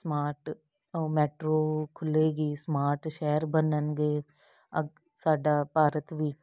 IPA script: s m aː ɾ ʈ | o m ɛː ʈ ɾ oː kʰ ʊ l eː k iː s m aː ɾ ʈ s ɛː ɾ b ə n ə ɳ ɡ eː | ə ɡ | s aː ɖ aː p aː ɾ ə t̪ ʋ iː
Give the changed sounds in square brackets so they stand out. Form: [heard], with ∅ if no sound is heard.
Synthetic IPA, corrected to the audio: s m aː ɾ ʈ | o m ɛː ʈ ɾ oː kʰ ʊ l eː [ɡ] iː s m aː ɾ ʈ [ʃ] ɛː ɾ b ə n ə [n] ɡ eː | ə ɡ | s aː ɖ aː p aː ɾ ə t̪ ʋ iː

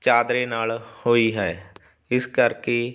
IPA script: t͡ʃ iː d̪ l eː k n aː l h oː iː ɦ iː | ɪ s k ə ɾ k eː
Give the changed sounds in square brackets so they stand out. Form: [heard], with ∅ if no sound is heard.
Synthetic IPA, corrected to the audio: t͡ʃ [aː] d̪ [ɾ] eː [∅] n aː l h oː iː ɦ [ɛː] | ɪ s k ə ɾ k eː

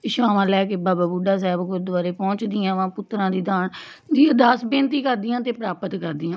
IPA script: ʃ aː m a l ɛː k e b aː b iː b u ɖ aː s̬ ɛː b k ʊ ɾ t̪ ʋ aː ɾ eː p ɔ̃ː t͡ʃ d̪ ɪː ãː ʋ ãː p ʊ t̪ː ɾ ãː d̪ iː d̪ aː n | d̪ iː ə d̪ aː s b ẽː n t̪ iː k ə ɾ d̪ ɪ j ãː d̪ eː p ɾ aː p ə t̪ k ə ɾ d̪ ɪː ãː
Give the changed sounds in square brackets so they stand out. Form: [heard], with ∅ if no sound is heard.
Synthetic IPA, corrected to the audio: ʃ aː m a l ɛː k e b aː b [aː] b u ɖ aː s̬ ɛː b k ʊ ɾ [d̪] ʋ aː ɾ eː p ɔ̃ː t͡ʃ d̪ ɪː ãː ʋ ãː p ʊ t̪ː ɾ ãː d̪ iː d̪ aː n | d̪ iː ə d̪ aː s b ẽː n t̪ iː k ə ɾ d̪ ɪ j ãː [t̪] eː p ɾ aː p ə t̪ k ə ɾ d̪ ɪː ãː

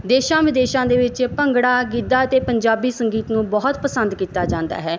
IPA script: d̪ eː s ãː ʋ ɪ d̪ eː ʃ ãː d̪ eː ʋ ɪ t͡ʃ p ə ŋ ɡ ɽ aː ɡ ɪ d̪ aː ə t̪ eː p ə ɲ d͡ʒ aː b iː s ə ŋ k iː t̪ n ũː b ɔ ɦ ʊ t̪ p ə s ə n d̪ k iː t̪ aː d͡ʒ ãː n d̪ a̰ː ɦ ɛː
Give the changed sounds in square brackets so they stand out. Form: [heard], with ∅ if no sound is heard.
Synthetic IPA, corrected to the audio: d̪ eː [ʃ] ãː ʋ ɪ d̪ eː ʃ ãː d̪ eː ʋ ɪ t͡ʃ p ə ŋ ɡ ɽ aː ɡ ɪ d̪ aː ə t̪ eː p ə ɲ d͡ʒ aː b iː s ə ŋ [ɡ] iː t̪ n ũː b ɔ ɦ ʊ t̪ p ə s ə n d̪ k iː t̪ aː d͡ʒ ãː n d̪ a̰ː ɦ ɛː

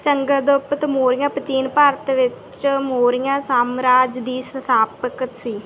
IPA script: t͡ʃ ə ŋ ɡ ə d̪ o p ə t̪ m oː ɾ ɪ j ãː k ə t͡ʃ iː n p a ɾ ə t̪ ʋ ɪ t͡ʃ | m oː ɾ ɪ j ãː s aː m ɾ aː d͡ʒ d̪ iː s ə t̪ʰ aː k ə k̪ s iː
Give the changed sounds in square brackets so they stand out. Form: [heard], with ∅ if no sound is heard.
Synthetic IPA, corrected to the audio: t͡ʃ ə ŋ ɡ ə d̪ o p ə t̪ m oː ɾ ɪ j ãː [p] ə t͡ʃ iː n p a ɾ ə t̪ ʋ ɪ t͡ʃ | m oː ɾ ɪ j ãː s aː m ɾ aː d͡ʒ d̪ iː s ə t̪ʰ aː [p] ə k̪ s iː

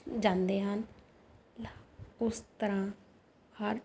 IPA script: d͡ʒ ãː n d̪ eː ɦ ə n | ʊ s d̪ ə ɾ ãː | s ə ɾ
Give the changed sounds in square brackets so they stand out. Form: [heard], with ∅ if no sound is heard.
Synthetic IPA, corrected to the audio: d͡ʒ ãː n d̪ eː ɦ ə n | ʊ s [t̪] ə ɾ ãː | [h] ə ɾ

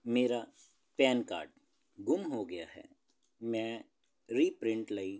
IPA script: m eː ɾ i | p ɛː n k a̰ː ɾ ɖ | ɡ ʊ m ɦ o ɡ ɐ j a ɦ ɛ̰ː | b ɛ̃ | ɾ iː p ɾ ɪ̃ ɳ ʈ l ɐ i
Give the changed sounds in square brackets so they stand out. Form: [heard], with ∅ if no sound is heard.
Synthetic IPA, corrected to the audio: m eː ɾ [a] | p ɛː n k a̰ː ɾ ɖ | ɡ ʊ m ɦ o ɡ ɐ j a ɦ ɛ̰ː | [m] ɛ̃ | ɾ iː p ɾ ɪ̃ ɳ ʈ l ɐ i

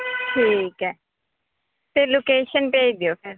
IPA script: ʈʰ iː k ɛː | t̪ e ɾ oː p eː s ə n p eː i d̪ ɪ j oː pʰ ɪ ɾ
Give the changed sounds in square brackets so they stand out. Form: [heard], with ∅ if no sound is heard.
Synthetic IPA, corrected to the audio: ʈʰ iː k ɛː | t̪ e [l] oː [k] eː [ʃ] ə n p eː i d̪ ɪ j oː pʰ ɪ ɾ

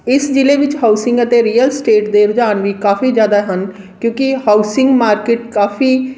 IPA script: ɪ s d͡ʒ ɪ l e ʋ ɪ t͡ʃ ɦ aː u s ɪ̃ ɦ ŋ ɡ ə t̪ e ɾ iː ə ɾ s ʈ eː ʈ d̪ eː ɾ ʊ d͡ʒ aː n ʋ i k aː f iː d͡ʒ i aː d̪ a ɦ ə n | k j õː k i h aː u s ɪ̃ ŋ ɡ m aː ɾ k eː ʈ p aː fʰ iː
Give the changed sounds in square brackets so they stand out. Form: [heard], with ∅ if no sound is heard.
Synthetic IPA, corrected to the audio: ɪ s d͡ʒ ɪ l e ʋ ɪ t͡ʃ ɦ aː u s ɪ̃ [∅] ŋ ɡ ə t̪ e ɾ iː ə [l] s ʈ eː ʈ d̪ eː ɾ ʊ d͡ʒ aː n ʋ i k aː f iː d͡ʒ [j] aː d̪ a ɦ ə n | k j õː k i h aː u s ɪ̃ ŋ ɡ m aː ɾ k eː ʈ [k] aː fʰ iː

